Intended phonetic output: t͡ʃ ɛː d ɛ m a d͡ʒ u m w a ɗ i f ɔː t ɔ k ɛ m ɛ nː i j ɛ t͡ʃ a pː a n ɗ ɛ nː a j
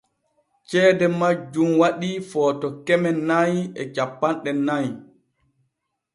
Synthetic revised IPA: t͡ʃ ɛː d ɛ m a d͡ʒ u m w a ɗ i f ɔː t ɔ k ɛ m ɛ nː a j ɛ t͡ʃ a pː a n ɗ ɛ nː a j